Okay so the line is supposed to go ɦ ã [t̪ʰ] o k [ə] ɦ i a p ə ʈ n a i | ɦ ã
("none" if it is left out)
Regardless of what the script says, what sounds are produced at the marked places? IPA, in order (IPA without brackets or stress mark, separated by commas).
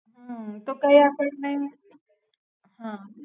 t̪, a